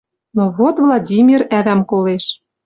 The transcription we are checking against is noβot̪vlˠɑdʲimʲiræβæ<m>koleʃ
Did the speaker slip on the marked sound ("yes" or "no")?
no